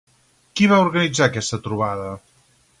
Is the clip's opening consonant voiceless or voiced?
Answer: voiceless